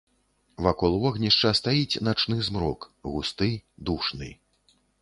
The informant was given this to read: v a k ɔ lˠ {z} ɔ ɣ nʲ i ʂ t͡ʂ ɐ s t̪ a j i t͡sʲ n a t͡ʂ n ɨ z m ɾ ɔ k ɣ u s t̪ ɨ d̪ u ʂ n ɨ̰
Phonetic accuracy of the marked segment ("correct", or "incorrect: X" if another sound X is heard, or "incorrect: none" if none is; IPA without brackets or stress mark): incorrect: v